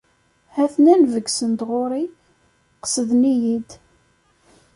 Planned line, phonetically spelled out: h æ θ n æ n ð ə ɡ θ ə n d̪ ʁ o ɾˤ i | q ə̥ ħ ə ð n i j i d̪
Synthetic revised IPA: h æ θ n æ n v ə ɡ s ə n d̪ ʁ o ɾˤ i | q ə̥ s ə ð n i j i d̪